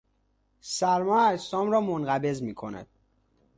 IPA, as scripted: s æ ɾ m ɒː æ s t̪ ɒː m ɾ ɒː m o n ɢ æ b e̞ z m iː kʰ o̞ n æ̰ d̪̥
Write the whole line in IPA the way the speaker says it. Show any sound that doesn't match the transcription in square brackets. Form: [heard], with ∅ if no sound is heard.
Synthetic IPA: s æ ɾ m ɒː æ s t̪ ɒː m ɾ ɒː m o n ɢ æ b e̞ z m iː kʰ o̞ n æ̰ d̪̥